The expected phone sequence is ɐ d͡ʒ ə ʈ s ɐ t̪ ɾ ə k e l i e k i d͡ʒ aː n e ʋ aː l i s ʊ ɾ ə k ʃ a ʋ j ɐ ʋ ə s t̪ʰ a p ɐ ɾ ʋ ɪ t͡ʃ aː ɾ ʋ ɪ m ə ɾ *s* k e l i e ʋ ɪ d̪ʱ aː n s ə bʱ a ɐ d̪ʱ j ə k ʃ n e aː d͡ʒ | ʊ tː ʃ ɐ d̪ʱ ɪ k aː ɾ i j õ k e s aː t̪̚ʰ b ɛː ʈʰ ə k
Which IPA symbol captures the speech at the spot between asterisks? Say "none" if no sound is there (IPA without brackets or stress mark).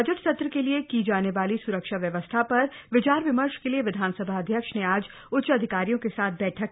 ʃ